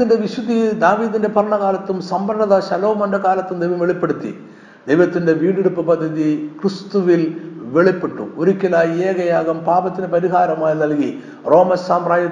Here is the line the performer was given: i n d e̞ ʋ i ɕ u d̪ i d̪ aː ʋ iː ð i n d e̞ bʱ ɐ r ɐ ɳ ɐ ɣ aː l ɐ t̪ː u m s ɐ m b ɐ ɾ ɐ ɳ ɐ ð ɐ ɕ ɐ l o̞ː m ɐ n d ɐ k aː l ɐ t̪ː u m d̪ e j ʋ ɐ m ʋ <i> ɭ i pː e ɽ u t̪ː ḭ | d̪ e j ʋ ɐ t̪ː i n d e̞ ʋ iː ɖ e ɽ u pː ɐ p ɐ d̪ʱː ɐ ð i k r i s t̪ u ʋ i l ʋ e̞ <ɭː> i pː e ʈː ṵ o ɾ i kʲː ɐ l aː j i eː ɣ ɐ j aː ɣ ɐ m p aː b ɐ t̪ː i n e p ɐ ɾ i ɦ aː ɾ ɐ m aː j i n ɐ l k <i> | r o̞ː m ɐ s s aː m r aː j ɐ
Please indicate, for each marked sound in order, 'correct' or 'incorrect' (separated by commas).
incorrect, incorrect, correct